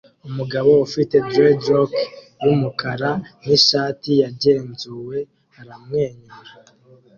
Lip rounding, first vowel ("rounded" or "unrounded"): rounded